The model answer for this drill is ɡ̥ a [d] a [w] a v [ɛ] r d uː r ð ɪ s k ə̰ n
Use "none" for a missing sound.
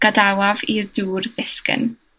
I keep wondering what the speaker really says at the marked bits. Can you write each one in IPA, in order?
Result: d, w, i

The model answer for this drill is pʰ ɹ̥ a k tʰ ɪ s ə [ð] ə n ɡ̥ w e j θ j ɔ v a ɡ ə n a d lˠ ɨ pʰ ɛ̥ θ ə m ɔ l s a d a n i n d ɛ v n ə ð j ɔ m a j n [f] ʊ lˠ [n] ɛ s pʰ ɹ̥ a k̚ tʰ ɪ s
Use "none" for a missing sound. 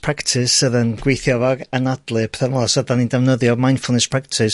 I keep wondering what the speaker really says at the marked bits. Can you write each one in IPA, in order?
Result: ð, f, n

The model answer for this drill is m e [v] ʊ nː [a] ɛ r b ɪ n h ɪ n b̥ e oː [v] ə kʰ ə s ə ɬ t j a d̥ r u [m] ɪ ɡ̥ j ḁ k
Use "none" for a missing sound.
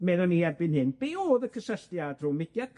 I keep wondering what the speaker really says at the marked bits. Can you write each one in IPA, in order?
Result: ð, i, ð, m

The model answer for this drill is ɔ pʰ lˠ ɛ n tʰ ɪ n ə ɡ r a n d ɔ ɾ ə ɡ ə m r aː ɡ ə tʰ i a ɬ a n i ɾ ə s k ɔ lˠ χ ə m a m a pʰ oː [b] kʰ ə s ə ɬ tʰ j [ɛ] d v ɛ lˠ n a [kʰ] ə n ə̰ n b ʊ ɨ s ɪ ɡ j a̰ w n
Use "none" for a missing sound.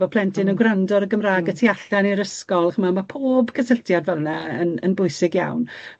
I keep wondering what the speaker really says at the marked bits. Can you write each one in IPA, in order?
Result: b, a, none

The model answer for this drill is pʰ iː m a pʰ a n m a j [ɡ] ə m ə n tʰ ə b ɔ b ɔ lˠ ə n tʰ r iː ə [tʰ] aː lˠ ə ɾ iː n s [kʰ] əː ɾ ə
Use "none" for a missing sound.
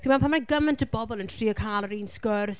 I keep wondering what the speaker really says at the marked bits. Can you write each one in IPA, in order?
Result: ɡ, kʰ, k

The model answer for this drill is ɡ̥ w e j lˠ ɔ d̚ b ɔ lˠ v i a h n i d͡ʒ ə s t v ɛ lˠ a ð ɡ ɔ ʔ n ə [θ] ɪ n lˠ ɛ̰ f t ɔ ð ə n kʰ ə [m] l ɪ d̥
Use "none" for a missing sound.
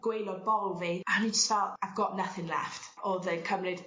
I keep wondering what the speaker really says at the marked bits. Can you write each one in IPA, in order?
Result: θ, m

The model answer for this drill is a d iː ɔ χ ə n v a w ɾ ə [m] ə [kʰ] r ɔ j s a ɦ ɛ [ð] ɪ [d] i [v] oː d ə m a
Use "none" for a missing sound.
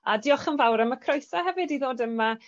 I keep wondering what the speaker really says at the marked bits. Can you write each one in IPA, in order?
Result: m, kʰ, v, d, ð

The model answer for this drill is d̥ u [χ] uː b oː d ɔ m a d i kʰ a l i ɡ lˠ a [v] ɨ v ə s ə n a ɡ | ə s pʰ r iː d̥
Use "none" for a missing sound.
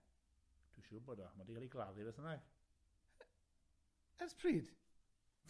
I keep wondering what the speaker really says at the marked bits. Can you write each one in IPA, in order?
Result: ʃ, ð

